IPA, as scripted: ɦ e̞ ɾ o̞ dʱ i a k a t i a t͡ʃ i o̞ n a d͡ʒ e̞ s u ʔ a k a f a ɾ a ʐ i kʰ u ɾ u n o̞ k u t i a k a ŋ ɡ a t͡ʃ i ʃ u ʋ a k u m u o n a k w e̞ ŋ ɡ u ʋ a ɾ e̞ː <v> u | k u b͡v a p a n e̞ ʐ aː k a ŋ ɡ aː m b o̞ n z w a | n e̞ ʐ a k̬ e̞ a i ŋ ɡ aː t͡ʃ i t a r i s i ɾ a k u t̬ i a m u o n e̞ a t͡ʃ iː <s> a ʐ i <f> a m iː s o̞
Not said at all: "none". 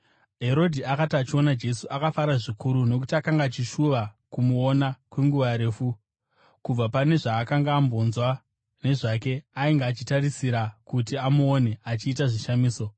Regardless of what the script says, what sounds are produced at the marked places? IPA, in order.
f, t, ʃ

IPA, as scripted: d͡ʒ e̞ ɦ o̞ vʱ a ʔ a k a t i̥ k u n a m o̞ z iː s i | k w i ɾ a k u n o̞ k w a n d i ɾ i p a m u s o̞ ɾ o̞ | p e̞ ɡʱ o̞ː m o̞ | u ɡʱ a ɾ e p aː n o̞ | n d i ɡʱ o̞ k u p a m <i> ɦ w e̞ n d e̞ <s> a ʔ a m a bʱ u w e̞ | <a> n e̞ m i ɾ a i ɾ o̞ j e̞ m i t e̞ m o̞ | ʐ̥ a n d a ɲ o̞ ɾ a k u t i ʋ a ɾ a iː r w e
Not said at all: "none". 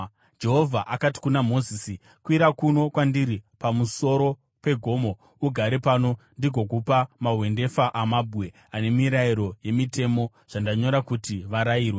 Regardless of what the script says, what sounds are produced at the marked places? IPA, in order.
a, f, a

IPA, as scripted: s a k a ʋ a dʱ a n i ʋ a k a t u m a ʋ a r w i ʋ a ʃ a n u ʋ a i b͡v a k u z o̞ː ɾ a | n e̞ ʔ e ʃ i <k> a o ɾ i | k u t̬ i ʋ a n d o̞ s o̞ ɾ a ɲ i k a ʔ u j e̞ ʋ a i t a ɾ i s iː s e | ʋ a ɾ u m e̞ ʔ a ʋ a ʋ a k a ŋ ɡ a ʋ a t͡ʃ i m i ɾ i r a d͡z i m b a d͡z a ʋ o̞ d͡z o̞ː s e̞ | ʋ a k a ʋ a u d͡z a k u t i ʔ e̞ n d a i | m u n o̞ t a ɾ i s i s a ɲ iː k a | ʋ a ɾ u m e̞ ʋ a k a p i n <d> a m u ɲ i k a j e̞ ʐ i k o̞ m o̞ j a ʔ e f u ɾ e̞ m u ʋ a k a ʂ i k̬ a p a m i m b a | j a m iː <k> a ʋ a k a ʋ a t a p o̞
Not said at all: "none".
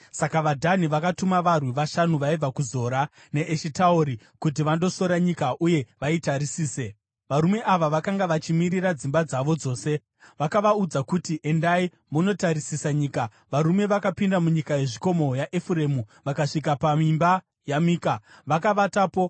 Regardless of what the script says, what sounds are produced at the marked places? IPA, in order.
t, d, k

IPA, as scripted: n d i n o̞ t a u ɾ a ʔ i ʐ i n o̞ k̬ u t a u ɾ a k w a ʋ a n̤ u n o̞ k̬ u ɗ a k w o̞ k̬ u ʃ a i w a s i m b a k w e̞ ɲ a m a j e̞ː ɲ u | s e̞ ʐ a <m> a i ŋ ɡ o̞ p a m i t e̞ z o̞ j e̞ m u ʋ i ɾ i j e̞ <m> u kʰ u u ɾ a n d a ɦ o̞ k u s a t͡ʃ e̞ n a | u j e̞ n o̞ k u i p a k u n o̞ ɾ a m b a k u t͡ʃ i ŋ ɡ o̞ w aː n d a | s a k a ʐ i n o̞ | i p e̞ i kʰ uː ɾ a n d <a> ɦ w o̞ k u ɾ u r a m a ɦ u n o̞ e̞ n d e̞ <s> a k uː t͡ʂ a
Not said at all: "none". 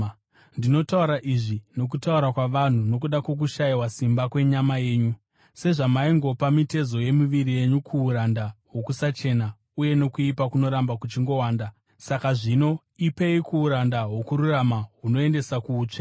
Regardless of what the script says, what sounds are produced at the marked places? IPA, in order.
m, ɲ, a, s

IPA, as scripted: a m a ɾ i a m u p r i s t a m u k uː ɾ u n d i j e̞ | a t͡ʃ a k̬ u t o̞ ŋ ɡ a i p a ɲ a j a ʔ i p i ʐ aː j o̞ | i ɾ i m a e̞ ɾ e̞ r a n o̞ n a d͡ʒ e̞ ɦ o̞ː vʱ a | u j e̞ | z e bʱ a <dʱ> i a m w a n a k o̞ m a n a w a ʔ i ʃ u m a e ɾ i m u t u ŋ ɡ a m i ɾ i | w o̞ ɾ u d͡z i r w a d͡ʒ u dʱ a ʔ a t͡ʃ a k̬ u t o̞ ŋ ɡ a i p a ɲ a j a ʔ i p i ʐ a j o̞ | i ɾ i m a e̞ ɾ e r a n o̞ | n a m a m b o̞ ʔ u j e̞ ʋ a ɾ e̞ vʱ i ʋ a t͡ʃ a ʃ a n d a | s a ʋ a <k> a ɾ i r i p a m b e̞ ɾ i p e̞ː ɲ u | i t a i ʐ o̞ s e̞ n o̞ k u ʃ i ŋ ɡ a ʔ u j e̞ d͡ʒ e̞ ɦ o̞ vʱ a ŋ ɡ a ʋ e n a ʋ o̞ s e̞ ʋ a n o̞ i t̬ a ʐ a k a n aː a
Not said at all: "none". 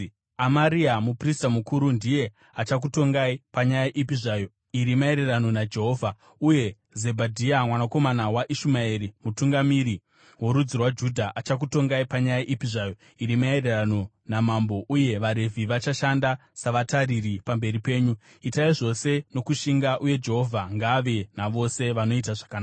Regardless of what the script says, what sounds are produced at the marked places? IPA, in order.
dʱ, t

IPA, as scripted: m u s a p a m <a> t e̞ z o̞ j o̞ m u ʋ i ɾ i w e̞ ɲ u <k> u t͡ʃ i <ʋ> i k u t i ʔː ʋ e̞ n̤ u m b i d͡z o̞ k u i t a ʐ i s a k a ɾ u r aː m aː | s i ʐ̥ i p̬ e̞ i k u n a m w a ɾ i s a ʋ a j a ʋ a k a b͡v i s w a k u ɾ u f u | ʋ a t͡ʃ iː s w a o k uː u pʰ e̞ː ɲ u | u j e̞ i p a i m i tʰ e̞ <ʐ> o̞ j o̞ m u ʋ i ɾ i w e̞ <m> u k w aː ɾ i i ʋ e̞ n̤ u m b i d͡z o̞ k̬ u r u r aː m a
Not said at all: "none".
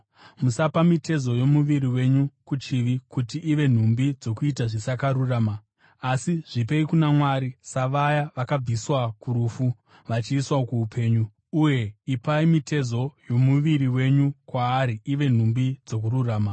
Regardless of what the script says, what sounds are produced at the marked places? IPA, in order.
i, k, ʋ, z, ɲ

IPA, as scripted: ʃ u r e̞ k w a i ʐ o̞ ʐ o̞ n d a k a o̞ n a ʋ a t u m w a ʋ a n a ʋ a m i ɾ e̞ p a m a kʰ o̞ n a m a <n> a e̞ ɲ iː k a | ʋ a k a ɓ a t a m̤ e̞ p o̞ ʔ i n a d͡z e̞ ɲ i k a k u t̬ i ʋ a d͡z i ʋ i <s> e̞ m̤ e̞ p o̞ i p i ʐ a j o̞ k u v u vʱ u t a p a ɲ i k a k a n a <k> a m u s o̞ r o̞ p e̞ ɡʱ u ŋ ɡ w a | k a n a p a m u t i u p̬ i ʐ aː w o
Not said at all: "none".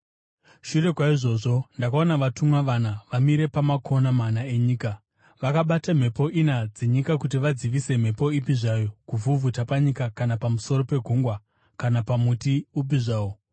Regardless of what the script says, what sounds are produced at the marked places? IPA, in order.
n, s, p

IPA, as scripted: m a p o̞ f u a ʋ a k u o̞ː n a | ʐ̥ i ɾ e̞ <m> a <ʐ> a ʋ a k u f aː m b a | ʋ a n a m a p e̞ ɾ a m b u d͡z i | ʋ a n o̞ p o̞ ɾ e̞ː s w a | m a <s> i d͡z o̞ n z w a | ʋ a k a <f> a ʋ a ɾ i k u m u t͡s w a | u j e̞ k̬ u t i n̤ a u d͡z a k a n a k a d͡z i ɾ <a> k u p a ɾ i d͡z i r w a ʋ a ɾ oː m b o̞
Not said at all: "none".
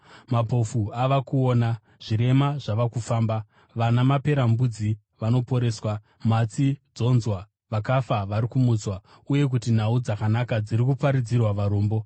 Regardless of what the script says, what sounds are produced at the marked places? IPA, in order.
m, ʐ, t͡s, f, i

